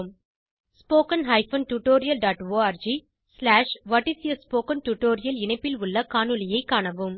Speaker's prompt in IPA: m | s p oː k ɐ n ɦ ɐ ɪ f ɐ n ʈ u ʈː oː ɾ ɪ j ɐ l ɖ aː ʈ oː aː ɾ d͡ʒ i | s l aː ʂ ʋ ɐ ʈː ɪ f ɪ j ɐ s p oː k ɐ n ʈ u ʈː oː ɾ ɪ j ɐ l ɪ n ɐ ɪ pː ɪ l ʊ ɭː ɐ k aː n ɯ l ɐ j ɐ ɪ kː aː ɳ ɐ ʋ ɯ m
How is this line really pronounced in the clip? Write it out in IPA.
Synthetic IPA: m | s p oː k ɐ n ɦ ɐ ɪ f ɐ n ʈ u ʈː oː ɾ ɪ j ɐ l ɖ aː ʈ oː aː ɾ d͡ʒ i | s l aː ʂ ʋ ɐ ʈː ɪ s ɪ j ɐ s p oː k ɐ n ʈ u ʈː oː ɾ ɪ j ɐ l ɪ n ɐ ɪ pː ɪ l ʊ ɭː ɐ k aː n ɯ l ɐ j ɐ ɪ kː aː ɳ ɐ ʋ ɯ m